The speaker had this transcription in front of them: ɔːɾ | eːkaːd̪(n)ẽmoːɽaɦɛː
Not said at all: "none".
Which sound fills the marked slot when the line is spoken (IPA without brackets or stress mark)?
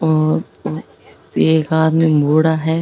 m